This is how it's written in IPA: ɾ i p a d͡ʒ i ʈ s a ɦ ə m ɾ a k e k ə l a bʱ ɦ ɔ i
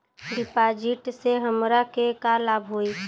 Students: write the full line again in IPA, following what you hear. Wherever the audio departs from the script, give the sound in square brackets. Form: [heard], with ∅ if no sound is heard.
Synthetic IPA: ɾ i p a d͡ʒ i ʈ s [e] ɦ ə m ɾ a k e k [a] l a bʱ ɦ [o] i